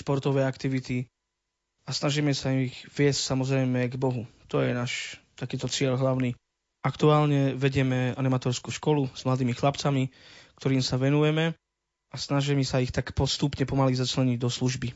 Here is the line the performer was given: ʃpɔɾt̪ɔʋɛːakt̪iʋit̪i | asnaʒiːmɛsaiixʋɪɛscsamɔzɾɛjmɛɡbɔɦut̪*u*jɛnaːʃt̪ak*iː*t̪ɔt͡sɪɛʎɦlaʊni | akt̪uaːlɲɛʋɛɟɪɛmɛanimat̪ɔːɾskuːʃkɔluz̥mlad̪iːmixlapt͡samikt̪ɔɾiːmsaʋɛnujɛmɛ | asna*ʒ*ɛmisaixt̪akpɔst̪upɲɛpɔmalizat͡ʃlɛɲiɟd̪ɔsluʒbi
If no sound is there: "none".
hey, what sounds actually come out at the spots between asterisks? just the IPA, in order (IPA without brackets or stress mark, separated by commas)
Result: ɔ, iː, ʒ